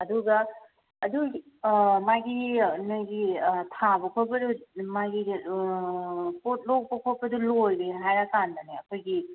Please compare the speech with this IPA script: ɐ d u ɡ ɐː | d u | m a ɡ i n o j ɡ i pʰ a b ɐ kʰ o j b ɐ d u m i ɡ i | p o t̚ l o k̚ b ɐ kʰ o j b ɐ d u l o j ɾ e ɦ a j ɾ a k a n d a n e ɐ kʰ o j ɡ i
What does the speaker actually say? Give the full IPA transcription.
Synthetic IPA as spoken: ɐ d u ɡ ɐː | d u | m a ɡ i n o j ɡ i tʰ a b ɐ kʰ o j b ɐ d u m a ɡ i | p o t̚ l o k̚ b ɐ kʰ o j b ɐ d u l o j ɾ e ɦ a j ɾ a k a n d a n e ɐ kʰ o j ɡ i